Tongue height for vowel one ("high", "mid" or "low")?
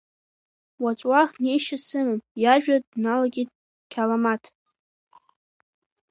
low